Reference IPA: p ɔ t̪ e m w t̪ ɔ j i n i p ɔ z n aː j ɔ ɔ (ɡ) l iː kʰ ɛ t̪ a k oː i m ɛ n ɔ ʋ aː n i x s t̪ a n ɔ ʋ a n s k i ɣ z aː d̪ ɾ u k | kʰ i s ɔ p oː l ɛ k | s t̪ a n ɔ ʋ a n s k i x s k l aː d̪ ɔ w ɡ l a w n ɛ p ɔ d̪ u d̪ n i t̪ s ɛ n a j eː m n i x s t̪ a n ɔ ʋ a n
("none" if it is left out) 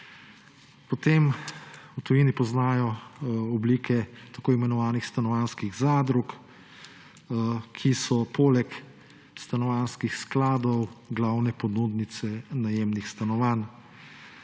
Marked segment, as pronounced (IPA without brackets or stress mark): b